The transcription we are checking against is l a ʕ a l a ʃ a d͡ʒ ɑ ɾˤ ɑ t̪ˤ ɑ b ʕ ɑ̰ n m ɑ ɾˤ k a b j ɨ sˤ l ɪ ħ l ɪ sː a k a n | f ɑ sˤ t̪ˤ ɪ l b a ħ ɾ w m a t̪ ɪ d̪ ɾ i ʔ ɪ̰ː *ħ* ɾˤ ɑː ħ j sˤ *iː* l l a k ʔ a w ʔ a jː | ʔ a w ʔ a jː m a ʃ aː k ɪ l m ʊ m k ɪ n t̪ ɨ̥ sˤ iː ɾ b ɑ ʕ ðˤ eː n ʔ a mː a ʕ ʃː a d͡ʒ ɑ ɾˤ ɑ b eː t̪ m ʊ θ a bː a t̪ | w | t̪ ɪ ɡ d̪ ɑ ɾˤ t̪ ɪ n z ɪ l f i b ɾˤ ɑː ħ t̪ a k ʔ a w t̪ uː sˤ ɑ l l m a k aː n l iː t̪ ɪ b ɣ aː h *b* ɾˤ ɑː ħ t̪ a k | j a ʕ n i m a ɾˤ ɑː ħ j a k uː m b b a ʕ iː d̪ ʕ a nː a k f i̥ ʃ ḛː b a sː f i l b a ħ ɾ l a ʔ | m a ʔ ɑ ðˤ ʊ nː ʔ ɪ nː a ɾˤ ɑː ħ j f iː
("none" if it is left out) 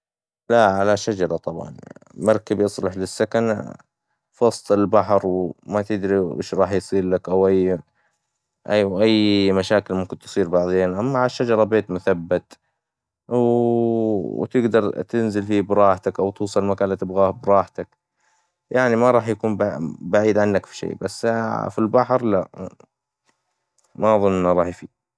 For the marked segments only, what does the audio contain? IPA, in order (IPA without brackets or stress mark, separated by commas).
ʃ, iː, b